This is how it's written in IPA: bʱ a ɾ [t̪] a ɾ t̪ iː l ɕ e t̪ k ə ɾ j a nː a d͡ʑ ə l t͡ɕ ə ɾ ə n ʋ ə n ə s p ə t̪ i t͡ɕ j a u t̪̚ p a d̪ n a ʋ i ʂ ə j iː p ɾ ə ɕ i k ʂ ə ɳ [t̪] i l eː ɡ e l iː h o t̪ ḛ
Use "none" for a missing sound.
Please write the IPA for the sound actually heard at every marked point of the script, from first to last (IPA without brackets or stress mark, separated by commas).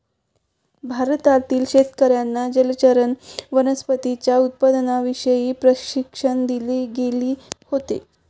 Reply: t̪, d̪